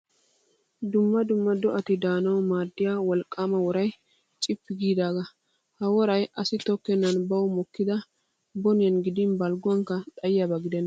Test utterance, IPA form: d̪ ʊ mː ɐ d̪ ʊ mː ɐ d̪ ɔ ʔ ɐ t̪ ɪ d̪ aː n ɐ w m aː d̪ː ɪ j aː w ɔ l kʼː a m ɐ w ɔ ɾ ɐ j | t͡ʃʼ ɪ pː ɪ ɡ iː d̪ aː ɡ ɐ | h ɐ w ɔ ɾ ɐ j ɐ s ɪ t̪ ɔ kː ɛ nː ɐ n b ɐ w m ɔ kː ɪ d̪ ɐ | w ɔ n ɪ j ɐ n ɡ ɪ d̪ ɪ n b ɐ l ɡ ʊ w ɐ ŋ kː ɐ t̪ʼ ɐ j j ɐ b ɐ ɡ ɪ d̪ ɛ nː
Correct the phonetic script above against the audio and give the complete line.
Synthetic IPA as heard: d̪ ʊ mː ɐ d̪ ʊ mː ɐ d̪ ɔ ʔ ɐ t̪ ɪ d̪ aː n ɐ w m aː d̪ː ɪ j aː w ɔ l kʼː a m ɐ w ɔ ɾ ɐ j | t͡ʃʼ ɪ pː ɪ ɡ iː d̪ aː ɡ ɐ | h ɐ w ɔ ɾ ɐ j ɐ s ɪ t̪ ɔ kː ɛ nː ɐ n b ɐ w m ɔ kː ɪ d̪ ɐ | b ɔ n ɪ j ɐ n ɡ ɪ d̪ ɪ n b ɐ l ɡ ʊ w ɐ ŋ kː ɐ t̪ʼ ɐ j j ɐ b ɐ ɡ ɪ d̪ ɛ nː